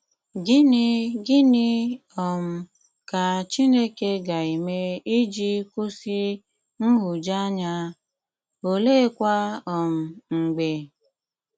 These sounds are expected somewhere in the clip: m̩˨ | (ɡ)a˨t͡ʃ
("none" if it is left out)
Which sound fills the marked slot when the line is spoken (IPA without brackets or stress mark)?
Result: k